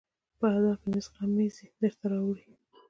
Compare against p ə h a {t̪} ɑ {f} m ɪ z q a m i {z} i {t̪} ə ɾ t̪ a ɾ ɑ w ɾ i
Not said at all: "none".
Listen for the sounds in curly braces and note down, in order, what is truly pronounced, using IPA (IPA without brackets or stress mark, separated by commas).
d̪, f, z, d̪